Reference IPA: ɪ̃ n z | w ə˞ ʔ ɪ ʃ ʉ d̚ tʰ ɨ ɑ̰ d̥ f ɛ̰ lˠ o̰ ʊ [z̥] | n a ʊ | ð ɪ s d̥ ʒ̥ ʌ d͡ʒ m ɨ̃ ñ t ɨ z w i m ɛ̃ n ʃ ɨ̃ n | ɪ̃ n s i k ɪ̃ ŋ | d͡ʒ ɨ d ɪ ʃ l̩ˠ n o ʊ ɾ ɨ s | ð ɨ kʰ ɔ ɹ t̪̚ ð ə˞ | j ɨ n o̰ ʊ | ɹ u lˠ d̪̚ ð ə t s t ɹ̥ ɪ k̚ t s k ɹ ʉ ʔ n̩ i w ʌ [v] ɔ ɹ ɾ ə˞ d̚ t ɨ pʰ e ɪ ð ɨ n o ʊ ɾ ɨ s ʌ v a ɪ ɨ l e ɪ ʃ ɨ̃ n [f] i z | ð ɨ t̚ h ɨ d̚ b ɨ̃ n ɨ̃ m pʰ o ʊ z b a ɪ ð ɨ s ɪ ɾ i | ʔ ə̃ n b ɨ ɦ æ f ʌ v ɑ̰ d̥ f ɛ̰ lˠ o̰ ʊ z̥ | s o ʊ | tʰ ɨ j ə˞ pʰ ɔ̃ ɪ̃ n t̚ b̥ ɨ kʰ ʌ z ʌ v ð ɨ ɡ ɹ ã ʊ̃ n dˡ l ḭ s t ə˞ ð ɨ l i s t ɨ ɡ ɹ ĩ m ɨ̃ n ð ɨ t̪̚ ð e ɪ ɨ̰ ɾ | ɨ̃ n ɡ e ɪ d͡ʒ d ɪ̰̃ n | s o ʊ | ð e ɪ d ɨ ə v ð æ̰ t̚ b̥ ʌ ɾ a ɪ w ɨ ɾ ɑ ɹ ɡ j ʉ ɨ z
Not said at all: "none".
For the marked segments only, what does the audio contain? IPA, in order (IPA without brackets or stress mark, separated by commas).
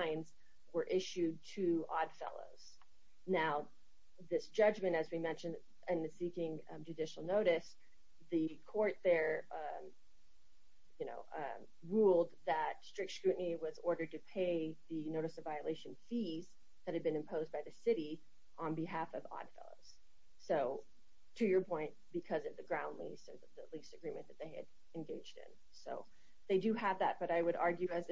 z̥, z, f